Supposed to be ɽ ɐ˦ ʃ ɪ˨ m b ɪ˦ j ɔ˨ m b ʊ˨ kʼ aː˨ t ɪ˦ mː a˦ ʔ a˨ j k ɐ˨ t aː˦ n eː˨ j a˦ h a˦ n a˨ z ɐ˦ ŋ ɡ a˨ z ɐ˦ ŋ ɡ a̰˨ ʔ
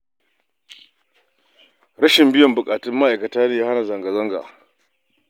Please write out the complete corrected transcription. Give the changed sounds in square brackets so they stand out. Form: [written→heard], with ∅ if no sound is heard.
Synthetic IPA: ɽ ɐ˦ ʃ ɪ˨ m b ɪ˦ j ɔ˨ m b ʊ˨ kʼ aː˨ t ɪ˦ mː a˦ ʔ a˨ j k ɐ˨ t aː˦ n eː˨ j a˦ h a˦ n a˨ z [ɐ˦→ɐ˨] ŋ ɡ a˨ z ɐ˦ ŋ ɡ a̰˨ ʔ

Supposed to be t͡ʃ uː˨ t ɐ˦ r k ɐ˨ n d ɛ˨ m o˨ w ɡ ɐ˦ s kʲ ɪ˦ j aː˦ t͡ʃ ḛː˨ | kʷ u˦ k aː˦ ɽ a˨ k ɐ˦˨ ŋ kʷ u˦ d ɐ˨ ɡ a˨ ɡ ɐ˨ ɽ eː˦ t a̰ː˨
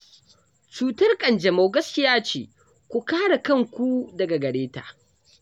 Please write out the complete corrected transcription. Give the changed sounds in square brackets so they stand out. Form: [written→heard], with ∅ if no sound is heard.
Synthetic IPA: t͡ʃ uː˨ t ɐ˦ r [k→kʼ] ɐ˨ n [d→d͡ʒ] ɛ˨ m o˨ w ɡ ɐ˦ s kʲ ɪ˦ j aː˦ t͡ʃ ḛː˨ | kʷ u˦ k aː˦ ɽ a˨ k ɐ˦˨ ŋ kʷ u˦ d ɐ˨ ɡ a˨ ɡ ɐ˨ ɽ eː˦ t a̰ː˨

